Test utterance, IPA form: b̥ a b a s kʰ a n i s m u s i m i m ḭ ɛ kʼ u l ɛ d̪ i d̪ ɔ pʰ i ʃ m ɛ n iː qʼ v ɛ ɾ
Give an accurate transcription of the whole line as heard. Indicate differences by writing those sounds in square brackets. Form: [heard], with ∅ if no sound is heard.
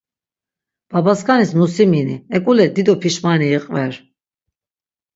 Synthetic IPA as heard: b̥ a b a s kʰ a n i s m u s i m i [n] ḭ ɛ kʼ u l ɛ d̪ i d̪ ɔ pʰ i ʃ m [a] n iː qʼ v ɛ ɾ

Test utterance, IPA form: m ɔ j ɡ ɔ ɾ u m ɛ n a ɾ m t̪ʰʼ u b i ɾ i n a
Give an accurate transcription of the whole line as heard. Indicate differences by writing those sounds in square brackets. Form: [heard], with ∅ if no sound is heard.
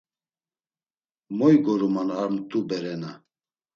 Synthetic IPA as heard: m ɔ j ɡ ɔ ɾ u m [a] n a ɾ m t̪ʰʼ u b [ɛ] ɾ [ɛ] n a

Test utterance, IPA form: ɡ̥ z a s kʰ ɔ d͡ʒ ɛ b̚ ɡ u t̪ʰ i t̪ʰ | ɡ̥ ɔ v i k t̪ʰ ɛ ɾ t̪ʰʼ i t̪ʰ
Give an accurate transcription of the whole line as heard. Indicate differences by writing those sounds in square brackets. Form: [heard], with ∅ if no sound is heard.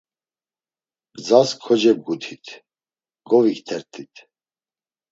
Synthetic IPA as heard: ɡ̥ [d͡z] a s kʰ ɔ d͡ʒ ɛ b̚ ɡ u t̪ʰ i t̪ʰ | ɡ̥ ɔ v i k t̪ʰ ɛ ɾ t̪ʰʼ i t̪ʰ

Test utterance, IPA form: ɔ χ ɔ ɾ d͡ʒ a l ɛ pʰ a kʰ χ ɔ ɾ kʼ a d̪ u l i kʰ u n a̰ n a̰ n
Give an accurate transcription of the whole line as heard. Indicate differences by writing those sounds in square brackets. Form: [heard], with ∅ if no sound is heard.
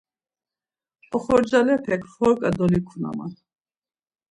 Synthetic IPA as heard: ɔ χ ɔ ɾ d͡ʒ a l ɛ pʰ [ɛ] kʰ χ ɔ ɾ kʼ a d̪ [ɔ] l i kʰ u n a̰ [m] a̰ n

